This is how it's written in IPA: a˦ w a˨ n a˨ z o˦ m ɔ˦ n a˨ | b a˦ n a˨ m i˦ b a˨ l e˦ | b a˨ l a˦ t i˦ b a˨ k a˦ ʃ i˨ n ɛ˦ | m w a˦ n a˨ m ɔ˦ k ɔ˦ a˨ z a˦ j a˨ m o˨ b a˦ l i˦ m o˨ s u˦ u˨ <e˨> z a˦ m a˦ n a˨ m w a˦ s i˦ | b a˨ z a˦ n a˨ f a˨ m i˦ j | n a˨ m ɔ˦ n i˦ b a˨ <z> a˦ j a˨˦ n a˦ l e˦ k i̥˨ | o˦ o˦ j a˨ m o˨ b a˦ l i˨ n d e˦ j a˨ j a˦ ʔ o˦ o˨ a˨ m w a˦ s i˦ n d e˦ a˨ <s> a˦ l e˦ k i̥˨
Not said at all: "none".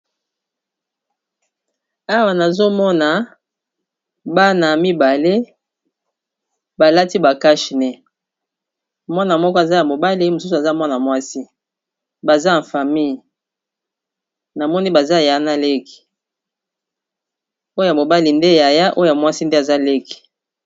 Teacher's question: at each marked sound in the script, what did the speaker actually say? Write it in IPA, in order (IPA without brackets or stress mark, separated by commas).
a˨, z, z